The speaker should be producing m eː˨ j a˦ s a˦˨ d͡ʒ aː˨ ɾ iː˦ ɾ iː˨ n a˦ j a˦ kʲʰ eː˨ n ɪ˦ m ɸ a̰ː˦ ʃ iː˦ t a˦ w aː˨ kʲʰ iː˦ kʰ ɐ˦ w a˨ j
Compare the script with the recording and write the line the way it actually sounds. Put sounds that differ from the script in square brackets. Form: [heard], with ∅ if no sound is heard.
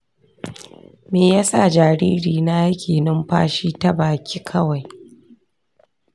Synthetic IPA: m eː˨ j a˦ s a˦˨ d͡ʒ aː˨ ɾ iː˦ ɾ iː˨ n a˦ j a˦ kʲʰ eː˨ n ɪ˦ m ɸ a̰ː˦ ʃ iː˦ t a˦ [b] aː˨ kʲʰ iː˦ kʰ ɐ˦ w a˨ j